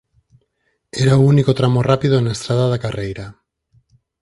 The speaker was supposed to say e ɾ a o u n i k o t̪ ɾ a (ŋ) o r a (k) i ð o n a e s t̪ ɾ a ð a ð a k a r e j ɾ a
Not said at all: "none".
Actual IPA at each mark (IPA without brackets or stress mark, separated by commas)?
m, p